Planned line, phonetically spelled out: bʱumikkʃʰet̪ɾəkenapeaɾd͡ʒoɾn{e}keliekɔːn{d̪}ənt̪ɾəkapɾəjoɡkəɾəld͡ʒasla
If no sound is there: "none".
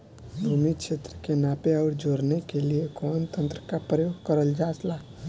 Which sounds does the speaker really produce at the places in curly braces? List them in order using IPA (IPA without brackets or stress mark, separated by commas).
e, t̪